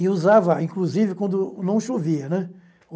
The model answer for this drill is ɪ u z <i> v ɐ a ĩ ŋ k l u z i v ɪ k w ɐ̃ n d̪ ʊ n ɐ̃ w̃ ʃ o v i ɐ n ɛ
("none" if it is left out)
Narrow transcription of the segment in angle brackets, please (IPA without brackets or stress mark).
a